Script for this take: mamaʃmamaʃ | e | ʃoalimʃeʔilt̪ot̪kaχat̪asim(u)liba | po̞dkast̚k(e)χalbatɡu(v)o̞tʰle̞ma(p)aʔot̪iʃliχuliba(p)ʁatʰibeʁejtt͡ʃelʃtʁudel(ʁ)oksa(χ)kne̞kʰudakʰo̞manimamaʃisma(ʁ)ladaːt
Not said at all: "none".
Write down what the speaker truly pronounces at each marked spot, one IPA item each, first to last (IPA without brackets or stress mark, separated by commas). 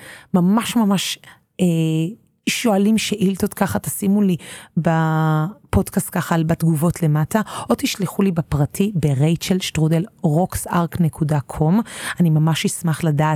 u, a, v, t, p, ʁ, ʁ, χ